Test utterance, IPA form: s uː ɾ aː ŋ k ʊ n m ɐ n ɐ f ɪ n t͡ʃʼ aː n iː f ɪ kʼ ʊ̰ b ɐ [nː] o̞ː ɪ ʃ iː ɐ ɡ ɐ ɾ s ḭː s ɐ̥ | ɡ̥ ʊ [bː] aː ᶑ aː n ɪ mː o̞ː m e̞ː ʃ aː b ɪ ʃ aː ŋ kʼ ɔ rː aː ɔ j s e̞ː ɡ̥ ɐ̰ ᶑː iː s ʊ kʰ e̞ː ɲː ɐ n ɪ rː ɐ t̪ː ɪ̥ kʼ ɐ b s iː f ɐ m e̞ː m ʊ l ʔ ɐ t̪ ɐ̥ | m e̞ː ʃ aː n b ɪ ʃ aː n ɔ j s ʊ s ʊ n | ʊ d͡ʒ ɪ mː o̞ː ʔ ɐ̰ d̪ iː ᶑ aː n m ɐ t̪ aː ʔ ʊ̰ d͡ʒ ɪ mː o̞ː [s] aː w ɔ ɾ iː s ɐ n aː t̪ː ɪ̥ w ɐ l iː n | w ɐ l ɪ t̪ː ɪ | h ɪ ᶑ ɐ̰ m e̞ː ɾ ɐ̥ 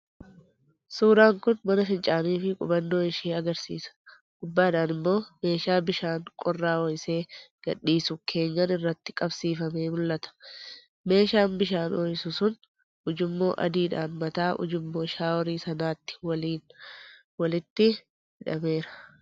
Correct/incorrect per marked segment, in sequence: correct, correct, incorrect: ʃ

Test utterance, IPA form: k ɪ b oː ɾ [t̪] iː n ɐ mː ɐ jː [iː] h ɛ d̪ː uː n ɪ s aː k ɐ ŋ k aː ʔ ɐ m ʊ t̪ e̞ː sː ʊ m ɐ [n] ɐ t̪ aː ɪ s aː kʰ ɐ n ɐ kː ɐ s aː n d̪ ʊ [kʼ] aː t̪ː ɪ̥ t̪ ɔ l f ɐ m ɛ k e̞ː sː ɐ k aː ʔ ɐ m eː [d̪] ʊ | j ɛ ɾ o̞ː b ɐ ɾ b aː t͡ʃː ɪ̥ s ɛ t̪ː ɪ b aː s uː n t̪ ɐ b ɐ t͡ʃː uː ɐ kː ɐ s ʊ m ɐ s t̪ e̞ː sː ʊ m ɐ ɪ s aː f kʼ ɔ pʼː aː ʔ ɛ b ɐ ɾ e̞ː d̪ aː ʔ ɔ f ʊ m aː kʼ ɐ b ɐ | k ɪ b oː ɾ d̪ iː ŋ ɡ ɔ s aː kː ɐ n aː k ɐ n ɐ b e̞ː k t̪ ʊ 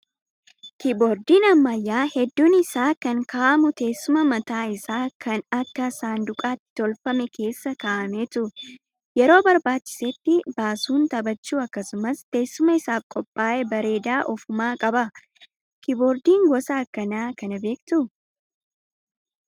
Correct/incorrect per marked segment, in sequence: incorrect: d̪, incorrect: aː, incorrect: m, correct, incorrect: t̪

